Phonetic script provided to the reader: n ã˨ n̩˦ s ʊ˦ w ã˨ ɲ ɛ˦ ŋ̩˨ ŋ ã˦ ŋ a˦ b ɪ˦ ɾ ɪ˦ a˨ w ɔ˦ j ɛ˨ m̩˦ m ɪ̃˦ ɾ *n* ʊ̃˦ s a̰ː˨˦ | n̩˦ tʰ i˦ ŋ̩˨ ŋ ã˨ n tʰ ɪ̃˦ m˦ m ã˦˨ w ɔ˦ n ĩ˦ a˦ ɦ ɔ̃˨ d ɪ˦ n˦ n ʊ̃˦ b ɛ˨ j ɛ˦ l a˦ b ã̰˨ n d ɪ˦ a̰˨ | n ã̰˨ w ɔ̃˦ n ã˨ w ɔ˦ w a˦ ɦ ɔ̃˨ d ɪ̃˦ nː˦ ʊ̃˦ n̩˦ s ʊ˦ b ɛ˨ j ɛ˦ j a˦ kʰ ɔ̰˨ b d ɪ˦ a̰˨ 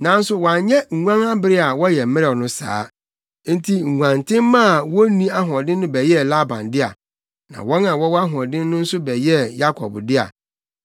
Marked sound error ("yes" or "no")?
no